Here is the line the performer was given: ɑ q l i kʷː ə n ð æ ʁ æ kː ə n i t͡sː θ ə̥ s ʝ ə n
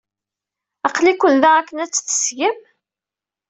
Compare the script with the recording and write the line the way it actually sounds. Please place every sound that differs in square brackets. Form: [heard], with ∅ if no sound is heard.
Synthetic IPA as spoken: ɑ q l i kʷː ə n ð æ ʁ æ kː ə n [æ] t͡sː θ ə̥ s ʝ ə [m]